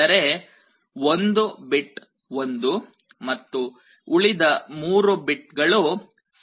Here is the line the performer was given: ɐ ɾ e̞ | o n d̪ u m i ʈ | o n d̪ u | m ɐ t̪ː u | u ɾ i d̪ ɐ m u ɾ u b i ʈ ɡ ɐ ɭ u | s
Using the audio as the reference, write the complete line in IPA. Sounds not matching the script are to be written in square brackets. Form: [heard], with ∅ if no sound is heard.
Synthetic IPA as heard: ɐ ɾ e̞ | o n d̪ u [b] i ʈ | o n d̪ u | m ɐ t̪ː u | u [ɭ] i d̪ ɐ m [uː] ɾ u b i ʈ ɡ ɐ ɭ u | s